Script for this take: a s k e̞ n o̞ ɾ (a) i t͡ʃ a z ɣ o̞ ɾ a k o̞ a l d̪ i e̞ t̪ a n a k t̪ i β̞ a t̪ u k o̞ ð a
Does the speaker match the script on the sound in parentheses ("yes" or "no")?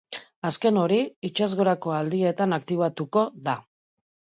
no